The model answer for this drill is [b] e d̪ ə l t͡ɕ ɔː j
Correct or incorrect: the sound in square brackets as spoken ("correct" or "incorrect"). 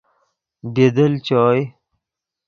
correct